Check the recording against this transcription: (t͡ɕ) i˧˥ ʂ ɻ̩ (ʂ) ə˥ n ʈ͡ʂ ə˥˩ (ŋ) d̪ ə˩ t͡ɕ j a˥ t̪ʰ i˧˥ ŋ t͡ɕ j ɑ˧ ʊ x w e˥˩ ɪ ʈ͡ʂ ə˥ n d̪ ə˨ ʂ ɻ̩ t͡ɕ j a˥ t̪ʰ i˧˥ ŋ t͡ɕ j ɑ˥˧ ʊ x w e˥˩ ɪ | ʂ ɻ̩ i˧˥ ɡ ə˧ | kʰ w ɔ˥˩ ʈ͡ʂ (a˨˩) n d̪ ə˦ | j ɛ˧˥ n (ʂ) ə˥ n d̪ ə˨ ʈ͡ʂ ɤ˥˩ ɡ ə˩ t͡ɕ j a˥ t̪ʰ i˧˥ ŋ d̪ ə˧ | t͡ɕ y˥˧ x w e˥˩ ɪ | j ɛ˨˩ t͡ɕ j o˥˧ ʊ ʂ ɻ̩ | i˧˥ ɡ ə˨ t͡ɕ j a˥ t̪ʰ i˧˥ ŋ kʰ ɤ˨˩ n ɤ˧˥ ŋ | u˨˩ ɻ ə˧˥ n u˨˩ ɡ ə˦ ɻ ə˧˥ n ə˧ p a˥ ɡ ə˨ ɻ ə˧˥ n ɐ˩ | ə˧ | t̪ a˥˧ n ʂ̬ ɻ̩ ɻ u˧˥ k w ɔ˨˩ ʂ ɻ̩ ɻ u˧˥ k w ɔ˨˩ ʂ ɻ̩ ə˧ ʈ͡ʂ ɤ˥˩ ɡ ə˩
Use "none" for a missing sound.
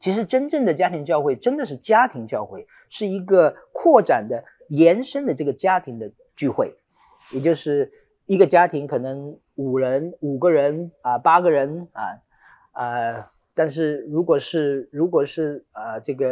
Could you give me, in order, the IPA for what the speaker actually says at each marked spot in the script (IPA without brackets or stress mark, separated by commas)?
t͡ɕʰ, ʈ͡ʂ, ŋ, a˨˩, ʂ